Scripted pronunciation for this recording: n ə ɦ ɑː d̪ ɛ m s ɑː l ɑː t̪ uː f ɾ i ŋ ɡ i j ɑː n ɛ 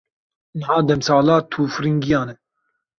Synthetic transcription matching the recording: n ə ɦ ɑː d̪ ɛ m s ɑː l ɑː t̪ʰ uː f ɾ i ŋ ɡ i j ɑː n ɛ